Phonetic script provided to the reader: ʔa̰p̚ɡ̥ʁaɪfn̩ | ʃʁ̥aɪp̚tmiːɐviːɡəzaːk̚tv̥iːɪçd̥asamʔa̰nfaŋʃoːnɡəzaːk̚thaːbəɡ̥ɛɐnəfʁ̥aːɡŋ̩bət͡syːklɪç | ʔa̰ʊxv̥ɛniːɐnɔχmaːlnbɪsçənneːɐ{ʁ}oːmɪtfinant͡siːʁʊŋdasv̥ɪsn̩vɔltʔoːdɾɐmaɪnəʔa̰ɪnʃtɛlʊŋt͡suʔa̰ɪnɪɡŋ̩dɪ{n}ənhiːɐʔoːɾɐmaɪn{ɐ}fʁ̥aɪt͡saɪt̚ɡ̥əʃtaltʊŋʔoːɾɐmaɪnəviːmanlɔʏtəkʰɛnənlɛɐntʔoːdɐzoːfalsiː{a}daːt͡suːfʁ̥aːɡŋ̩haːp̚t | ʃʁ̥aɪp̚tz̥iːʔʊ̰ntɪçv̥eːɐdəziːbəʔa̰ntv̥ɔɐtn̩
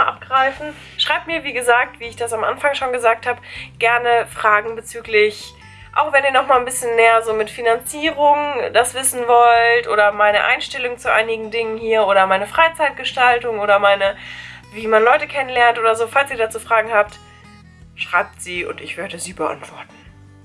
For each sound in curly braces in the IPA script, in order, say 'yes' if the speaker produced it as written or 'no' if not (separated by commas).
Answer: no, no, no, no